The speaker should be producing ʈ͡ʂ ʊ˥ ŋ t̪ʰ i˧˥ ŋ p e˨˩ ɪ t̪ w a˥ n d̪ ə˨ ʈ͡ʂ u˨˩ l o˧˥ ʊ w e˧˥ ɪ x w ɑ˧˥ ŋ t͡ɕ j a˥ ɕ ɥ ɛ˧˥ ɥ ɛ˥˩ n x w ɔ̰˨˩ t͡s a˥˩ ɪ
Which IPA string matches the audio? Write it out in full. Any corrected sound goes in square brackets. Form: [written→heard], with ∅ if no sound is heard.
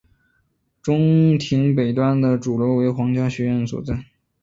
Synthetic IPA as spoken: ʈ͡ʂ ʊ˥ ŋ t̪ʰ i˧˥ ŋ p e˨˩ ɪ t̪ w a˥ n d̪ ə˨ ʈ͡ʂ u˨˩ l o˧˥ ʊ w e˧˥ ɪ x w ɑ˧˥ ŋ t͡ɕ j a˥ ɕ ɥ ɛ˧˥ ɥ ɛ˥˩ n [x→s] w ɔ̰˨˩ t͡s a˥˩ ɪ